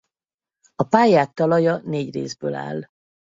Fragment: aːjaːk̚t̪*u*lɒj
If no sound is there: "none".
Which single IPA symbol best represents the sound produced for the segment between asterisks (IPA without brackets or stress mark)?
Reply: ɒ